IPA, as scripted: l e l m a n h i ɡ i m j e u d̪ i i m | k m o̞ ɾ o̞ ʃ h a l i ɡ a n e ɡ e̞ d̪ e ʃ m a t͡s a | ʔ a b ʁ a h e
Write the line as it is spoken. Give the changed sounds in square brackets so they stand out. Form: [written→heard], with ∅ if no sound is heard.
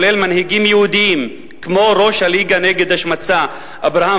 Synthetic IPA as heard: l e l m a n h i ɡ i m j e u d̪ i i m | k m o̞ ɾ o̞ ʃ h a l i ɡ a n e ɡ e̞ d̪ [e→a] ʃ m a t͡s a | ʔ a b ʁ a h [e→a]